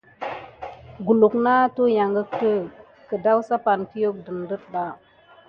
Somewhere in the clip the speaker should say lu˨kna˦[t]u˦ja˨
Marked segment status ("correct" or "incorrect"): correct